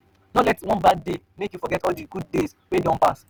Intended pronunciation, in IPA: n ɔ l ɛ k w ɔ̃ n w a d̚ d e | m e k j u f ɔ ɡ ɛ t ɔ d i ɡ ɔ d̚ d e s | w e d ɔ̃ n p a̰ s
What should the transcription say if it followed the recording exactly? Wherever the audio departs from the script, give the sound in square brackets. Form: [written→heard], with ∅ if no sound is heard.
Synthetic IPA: n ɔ l ɛ [k→t] w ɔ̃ n [w→b] a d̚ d e | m e k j u f ɔ ɡ ɛ t ɔ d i ɡ [ɔ→u] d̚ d e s | w e d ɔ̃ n p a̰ s